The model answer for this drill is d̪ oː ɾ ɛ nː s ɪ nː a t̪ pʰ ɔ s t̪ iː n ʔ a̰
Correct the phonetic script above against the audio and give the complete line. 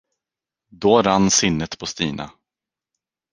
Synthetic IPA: d̪ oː ɾ a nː s ɪ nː ə t̪ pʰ ɔ s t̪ iː n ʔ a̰